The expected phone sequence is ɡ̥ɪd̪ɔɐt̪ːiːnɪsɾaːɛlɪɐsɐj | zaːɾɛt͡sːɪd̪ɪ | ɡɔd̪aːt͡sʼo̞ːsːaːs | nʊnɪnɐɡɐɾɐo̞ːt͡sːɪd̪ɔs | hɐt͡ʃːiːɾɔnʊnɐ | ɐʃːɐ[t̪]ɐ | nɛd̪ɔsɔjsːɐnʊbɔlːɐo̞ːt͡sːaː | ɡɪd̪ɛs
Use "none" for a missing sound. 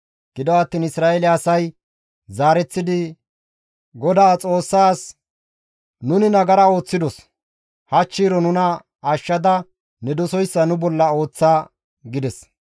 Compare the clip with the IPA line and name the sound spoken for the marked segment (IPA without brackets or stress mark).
d̪